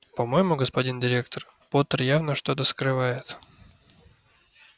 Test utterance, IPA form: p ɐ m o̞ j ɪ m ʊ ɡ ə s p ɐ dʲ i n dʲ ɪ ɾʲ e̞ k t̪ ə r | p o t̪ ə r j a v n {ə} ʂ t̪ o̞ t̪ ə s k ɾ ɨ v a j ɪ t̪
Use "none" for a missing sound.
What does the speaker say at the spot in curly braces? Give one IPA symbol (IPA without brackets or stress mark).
ə